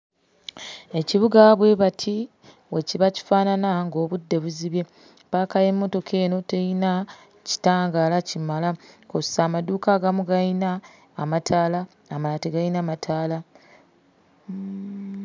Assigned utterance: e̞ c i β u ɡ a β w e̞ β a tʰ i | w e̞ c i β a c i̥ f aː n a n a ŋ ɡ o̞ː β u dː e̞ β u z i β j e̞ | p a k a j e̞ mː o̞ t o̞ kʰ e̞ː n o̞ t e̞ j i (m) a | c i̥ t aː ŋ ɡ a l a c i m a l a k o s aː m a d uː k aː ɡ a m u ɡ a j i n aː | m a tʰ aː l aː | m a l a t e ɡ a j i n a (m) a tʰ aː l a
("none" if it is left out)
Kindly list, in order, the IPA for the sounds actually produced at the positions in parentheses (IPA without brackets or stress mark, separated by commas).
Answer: n, m